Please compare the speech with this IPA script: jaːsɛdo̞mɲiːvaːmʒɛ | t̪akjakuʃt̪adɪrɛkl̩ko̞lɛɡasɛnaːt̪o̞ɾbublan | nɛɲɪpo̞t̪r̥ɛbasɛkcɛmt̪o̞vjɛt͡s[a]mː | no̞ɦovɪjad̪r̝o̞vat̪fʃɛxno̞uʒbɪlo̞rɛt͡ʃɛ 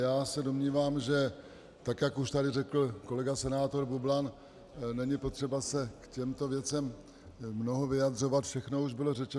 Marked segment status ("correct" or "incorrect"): incorrect